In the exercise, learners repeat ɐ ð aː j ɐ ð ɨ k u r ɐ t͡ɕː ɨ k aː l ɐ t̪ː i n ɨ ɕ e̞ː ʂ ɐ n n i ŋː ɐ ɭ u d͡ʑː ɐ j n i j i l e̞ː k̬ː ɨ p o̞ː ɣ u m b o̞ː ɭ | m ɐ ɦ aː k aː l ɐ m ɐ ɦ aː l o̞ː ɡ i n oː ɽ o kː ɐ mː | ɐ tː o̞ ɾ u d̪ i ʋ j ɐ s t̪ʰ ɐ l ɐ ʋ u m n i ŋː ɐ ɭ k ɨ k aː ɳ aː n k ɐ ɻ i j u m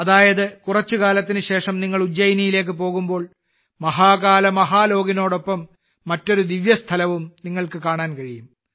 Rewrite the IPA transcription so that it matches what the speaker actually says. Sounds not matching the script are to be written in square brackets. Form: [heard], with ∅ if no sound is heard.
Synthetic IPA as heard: ɐ ð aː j ɐ ð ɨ k u r ɐ t͡ɕː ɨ k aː l ɐ t̪ː i n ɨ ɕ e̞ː ʂ ɐ [m] n i ŋː ɐ ɭ u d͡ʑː ɐ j n i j i l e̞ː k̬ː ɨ p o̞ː ɣ u m b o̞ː ɭ | m ɐ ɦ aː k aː l ɐ m ɐ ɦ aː l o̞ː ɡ i n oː ɽ o [pː] ɐ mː | ɐ tː o̞ ɾ u d̪ i ʋ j ɐ s t̪ʰ ɐ l ɐ ʋ u m n i ŋː ɐ ɭ k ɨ k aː ɳ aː n k ɐ ɻ i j u m

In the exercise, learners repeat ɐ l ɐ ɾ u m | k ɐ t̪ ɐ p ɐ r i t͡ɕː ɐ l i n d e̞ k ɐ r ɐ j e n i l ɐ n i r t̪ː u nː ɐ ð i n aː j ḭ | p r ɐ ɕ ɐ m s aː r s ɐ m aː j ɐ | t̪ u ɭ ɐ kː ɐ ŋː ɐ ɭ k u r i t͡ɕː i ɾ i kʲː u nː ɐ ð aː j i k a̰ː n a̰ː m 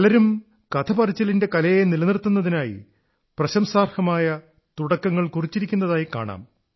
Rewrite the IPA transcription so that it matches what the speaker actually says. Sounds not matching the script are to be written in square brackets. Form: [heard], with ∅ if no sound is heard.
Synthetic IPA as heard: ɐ l ɐ ɾ u m | k ɐ [t̪ʰ] ɐ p ɐ r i t͡ɕː ɐ l i n d e̞ k ɐ [l] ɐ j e n i l ɐ n i r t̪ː u nː ɐ ð i n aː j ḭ | p r ɐ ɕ ɐ m s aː r [h] ɐ m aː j ɐ | t̪ u [ɽ] ɐ kː ɐ ŋː ɐ ɭ k u r i t͡ɕː i ɾ i kʲː u nː ɐ ð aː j i k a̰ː [ɳ] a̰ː m

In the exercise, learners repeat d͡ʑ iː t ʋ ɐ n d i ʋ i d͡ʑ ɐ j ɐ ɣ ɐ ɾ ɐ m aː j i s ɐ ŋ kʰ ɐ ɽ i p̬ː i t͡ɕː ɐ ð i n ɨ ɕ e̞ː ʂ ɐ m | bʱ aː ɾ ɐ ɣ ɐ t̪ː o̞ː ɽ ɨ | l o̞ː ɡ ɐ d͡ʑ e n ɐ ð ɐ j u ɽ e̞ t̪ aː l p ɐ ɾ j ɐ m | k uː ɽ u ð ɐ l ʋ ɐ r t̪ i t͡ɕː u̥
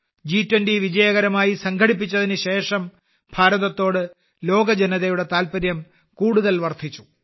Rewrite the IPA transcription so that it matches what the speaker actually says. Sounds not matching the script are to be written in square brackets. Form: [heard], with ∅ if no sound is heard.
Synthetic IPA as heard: d͡ʑ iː t [w] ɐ n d i ʋ i d͡ʑ ɐ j ɐ ɣ ɐ ɾ ɐ m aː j i s ɐ ŋ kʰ ɐ ɽ i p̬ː i t͡ɕː ɐ ð i n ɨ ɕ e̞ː ʂ ɐ m | bʱ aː ɾ ɐ [ð] ɐ t̪ː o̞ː ɽ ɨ | l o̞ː ɡ ɐ d͡ʑ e n ɐ ð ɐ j u ɽ e̞ t̪ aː l p ɐ ɾ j ɐ m | k uː ɽ u ð ɐ l ʋ ɐ r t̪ i t͡ɕː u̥

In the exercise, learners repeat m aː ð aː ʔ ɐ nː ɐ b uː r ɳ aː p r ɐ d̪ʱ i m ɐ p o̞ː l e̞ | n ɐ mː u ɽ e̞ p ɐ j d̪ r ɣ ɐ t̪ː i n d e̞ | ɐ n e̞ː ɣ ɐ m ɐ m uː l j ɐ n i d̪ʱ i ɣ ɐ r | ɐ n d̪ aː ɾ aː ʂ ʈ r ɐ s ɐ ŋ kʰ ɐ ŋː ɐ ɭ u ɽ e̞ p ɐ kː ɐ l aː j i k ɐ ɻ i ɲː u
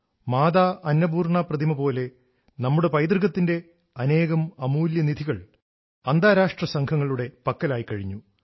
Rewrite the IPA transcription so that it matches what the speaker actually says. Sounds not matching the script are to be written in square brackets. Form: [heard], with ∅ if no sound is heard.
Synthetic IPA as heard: m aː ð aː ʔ ɐ nː ɐ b uː r ɳ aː p r ɐ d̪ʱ i m ɐ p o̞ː l e̞ | n ɐ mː u ɽ e̞ p ɐ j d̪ r ɣ ɐ t̪ː i n d e̞ | ɐ n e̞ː ɣ ɐ m ɐ m uː l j ɐ n i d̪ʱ i ɣ ɐ [ɭ] | ɐ n d̪ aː ɾ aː ʂ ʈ r ɐ s ɐ ŋ kʰ ɐ ŋː ɐ ɭ u ɽ e̞ p ɐ kː ɐ l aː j i k ɐ ɻ i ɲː u

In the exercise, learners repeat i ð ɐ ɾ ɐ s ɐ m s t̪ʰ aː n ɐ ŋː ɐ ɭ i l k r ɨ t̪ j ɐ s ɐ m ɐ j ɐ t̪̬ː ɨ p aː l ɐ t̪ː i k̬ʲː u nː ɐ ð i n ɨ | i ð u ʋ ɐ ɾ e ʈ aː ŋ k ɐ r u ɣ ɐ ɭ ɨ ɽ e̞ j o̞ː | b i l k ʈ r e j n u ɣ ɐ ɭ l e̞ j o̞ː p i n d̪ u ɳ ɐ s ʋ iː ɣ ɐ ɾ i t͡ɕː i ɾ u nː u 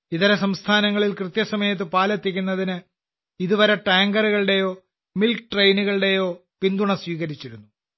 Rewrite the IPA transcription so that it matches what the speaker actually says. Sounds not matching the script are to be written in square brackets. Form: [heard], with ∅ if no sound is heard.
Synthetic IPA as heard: i ð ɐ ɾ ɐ s ɐ m s t̪ʰ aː n ɐ ŋː ɐ ɭ i l k r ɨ t̪ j ɐ s ɐ m ɐ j ɐ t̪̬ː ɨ p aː l ɐ t̪ː i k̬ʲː u nː ɐ ð i n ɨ | i ð u ʋ ɐ ɾ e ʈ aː ŋ [ɡ] ɐ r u ɣ ɐ ɭ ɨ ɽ e̞ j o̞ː | [m] i l k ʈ r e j n u ɣ ɐ ɭ [ɽ] e̞ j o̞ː p i n d̪ u ɳ ɐ s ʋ iː ɣ ɐ ɾ i t͡ɕː i ɾ u nː u

